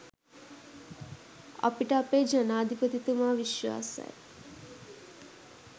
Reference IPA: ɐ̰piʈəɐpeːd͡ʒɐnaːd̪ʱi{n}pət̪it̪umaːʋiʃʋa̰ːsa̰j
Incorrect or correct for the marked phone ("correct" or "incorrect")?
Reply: incorrect